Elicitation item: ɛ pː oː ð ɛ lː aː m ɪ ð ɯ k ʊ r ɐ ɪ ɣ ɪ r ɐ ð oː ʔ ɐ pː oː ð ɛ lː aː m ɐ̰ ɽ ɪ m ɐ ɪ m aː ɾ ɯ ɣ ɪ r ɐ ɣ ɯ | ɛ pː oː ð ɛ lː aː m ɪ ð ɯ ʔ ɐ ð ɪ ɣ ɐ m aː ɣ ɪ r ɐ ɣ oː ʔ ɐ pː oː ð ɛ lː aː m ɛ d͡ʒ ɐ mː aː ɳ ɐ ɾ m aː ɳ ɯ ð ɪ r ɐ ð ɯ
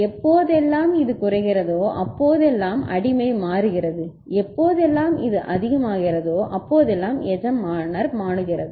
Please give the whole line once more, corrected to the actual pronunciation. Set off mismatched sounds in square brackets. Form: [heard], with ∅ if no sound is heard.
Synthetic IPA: ɛ pː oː ð ɛ lː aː m ɪ ð ɯ k ʊ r ɐ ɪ ɣ ɪ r ɐ ð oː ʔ ɐ pː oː ð ɛ lː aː m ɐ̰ ɽ ɪ m ɐ ɪ m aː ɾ ɯ ɣ ɪ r ɐ [ð] ɯ | ɛ pː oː ð ɛ lː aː m ɪ ð ɯ ʔ ɐ ð ɪ ɣ ɐ m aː ɣ ɪ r ɐ [ð] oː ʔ ɐ pː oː ð ɛ lː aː m ɛ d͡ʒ ɐ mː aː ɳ ɐ ɾ m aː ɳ ɯ [ɣ] ɪ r ɐ ð ɯ

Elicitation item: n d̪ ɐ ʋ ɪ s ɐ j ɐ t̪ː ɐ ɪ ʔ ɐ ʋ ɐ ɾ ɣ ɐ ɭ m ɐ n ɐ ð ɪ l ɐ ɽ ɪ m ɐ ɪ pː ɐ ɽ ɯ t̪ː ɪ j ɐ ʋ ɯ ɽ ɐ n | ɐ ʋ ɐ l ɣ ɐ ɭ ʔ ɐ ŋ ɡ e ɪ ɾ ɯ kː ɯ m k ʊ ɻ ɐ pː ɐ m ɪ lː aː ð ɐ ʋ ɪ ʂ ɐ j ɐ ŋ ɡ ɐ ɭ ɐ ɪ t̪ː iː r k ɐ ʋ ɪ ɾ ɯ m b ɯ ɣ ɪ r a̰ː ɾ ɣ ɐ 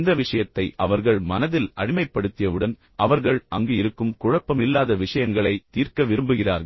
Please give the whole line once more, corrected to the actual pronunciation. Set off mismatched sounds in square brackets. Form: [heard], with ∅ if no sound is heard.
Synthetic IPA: n d̪ ɐ ʋ ɪ [ʂ] ɐ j ɐ t̪ː ɐ ɪ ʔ ɐ ʋ ɐ ɾ ɣ ɐ ɭ m ɐ n ɐ ð ɪ l ɐ ɽ ɪ m ɐ ɪ pː ɐ ɽ ɯ t̪ː ɪ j ɐ ʋ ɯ ɽ ɐ n | ɐ ʋ ɐ [ɾ] ɣ ɐ ɭ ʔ ɐ ŋ ɡ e ɪ ɾ ɯ kː ɯ m k ʊ ɻ ɐ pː ɐ m ɪ lː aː ð ɐ ʋ ɪ ʂ ɐ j ɐ ŋ ɡ ɐ ɭ ɐ ɪ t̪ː iː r k ɐ ʋ ɪ ɾ ɯ m b ɯ ɣ ɪ r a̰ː ɾ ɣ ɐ

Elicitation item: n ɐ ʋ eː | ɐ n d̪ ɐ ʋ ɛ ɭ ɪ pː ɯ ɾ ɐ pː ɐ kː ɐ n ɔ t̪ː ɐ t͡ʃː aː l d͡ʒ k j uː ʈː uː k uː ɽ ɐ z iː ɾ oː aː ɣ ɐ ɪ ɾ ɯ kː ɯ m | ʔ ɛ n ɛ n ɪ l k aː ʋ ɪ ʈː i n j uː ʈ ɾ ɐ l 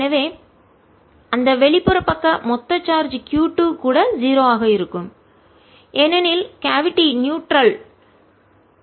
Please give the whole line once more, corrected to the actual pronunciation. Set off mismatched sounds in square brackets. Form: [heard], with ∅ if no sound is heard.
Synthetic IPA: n ɐ ʋ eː | ɐ n d̪ ɐ ʋ ɛ ɭ ɪ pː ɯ ɾ ɐ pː ɐ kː ɐ [m] ɔ t̪ː ɐ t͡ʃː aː [ɾ] d͡ʒ k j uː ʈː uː k uː ɽ ɐ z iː ɾ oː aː ɣ ɐ ɪ ɾ ɯ kː ɯ m | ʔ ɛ n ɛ n ɪ l k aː ʋ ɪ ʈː i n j uː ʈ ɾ ɐ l

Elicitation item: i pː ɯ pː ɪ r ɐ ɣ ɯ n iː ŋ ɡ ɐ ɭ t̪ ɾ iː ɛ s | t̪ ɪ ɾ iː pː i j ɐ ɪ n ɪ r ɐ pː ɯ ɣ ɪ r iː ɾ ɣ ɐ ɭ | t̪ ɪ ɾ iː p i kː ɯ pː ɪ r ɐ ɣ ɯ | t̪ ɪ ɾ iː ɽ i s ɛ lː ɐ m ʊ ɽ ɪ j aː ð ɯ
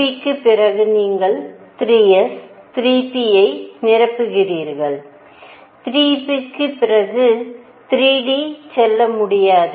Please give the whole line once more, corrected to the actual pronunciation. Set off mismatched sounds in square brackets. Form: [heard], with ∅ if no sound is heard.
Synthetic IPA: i [kː] ɯ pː ɪ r ɐ ɣ ɯ n iː ŋ ɡ ɐ ɭ t̪ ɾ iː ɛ s | t̪ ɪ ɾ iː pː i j ɐ ɪ n ɪ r ɐ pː ɯ ɣ ɪ r iː ɾ ɣ ɐ ɭ | t̪ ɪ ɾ iː p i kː ɯ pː ɪ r ɐ ɣ ɯ | t̪ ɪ ɾ iː ɽ i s ɛ lː ɐ m ʊ ɽ ɪ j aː ð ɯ

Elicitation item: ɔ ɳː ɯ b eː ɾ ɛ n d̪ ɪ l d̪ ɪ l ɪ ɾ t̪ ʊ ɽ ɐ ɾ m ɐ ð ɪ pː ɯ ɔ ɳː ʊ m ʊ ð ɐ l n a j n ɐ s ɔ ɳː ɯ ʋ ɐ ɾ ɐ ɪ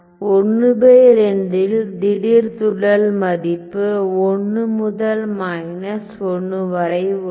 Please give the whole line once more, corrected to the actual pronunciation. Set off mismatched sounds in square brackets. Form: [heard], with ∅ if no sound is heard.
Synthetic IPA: ɔ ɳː ɯ b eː ɾ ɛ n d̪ ɪ l d̪ ɪ [ɽ] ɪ ɾ t̪ ʊ ɽ ɐ [l] m ɐ ð ɪ pː ɯ ɔ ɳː [ɯ] m ʊ ð ɐ l [m] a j n ɐ s ɔ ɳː ɯ ʋ ɐ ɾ ɐ ɪ

